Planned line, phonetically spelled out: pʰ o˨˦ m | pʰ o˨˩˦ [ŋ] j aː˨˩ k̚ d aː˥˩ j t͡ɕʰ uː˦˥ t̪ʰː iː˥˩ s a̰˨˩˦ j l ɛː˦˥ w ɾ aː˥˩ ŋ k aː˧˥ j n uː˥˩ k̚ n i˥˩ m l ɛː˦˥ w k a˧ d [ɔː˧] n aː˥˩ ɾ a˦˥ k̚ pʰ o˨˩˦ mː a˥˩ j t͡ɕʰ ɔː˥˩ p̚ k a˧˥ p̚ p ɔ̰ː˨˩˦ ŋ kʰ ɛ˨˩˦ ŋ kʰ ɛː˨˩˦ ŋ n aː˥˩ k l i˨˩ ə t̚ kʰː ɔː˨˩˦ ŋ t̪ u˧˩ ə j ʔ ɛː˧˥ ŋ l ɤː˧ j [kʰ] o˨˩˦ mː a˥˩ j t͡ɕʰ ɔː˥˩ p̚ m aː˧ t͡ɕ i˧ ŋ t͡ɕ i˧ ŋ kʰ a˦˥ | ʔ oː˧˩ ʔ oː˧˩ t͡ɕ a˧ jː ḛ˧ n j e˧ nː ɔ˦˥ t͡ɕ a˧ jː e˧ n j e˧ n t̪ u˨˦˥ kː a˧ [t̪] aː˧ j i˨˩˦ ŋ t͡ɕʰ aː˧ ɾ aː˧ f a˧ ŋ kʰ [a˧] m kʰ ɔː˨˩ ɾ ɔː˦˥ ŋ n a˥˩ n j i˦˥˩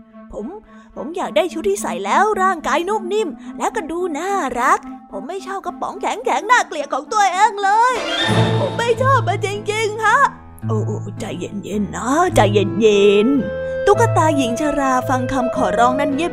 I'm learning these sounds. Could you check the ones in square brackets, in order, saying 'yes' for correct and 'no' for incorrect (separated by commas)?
no, no, no, yes, yes